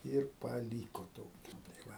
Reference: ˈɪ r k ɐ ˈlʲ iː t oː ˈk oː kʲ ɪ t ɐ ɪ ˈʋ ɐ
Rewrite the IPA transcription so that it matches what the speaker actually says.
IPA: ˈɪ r p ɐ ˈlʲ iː k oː ˈt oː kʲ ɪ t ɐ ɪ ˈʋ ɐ

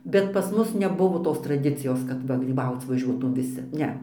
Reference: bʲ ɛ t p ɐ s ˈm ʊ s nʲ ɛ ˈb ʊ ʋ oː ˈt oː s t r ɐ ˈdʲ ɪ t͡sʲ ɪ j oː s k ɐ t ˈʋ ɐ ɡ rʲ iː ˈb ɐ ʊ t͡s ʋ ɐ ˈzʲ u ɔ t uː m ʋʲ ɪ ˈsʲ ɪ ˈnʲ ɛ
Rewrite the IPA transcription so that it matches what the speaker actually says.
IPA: bʲ ɛ t p ɐ s ˈm ʊ s nʲ ɛ ˈb ʊ ʋ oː ˈt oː s t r ɐ ˈdʲ ɪ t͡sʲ ɪ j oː s k ɐ t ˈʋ ɐ ɡ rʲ iː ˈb ɐ ʊ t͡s ʋ ɐ ˈʒʲ u ɔ t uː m ʋʲ ɪ ˈsʲ ɪ ˈnʲ ɛ

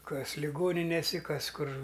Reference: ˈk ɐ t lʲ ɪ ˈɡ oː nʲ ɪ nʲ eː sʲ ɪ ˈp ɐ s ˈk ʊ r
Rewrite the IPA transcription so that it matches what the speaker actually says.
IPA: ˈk ɐ s lʲ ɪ ˈɡ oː nʲ ɪ nʲ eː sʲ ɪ ˈk ɐ s ˈk ʊ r

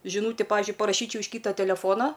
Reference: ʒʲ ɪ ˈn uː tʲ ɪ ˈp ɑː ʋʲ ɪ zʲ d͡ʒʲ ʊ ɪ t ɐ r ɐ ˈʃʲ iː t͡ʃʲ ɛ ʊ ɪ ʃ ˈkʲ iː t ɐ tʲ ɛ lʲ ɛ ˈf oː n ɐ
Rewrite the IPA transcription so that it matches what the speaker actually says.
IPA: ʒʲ ɪ ˈn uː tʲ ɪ ˈp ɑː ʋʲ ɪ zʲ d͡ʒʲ ʊ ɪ p ɐ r ɐ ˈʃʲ iː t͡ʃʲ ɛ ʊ ɪ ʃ ˈkʲ iː t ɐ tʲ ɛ lʲ ɛ ˈf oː n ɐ

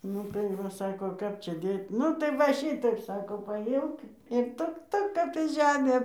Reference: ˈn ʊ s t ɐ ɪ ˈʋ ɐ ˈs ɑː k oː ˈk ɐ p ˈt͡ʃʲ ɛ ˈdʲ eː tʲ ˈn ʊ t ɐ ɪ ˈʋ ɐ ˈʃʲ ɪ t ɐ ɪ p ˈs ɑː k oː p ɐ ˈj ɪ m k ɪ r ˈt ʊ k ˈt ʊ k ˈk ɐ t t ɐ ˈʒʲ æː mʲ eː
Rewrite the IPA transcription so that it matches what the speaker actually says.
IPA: ˈn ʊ t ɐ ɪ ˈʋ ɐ ˈs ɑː k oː ˈk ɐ p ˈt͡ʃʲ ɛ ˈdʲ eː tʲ ˈn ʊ t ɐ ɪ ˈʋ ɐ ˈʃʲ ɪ t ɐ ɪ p ˈs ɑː k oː p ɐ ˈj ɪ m k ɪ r ˈt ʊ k ˈt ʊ k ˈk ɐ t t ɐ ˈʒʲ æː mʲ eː

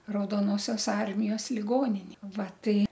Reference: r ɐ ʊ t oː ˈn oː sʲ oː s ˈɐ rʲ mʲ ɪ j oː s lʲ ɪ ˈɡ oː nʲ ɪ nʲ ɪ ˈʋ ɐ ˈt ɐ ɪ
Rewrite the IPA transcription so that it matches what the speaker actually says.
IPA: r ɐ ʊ d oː ˈn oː sʲ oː s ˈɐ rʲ mʲ ɪ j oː s lʲ ɪ ˈɡ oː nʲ ɪ nʲ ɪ ˈʋ ɐ ˈt ɐ ɪ

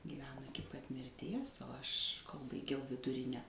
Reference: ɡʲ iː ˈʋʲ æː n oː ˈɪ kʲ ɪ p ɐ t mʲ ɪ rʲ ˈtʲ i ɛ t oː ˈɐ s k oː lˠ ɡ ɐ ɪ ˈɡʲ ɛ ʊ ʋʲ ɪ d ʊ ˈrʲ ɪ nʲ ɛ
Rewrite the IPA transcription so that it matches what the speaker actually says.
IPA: ɡʲ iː ˈʋʲ æː n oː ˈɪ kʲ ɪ p ɐ t mʲ ɪ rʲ ˈtʲ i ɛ s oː ˈɐ ʃ k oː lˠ b ɐ ɪ ˈɡʲ ɛ ʊ ʋʲ ɪ d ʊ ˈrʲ ɪ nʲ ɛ

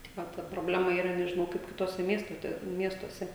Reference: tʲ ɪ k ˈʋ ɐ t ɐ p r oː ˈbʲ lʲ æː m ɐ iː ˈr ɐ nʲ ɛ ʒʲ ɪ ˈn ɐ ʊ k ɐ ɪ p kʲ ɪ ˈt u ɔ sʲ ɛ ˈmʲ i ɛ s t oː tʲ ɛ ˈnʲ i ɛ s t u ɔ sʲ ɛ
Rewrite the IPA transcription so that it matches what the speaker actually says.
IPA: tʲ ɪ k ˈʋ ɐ t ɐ p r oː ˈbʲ lʲ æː m ɐ iː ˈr ɐ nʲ ɛ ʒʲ ɪ ˈn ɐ ʊ k ɐ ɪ p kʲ ɪ ˈt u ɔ sʲ ɛ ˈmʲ i ɛ s t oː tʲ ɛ ˈmʲ i ɛ s t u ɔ sʲ ɛ

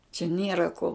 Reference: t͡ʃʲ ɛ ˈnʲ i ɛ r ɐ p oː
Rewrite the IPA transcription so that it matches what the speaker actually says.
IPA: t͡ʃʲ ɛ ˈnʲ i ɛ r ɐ k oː

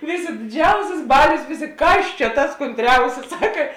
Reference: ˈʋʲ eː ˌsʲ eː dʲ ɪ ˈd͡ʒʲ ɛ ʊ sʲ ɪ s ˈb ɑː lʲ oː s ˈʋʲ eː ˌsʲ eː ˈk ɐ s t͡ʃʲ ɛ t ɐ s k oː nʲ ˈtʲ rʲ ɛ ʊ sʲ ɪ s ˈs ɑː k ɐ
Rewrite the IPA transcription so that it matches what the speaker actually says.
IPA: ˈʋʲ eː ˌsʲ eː dʲ ɪ ˈd͡ʒʲ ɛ ʊ sʲ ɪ s ˈb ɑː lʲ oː s ˈʋʲ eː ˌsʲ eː ˈk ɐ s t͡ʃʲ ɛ t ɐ s k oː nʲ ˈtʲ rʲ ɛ ʊ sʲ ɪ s ˈs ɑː k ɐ

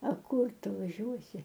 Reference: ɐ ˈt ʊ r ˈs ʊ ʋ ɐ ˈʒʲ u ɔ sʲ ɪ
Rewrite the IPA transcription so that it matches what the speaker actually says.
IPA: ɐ ˈk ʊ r ˈt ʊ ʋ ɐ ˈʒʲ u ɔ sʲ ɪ

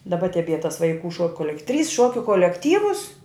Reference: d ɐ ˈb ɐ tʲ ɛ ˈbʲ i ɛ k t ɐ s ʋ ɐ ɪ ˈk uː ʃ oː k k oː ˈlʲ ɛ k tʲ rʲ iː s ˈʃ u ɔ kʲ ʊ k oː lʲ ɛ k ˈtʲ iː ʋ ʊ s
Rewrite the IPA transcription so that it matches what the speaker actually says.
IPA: d ɐ ˈb ɐ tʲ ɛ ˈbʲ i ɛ t ɐ s ʋ ɐ ɪ ˈk uː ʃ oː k k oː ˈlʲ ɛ k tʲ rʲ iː s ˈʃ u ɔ kʲ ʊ k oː lʲ ɛ k ˈtʲ iː ʋ ʊ s

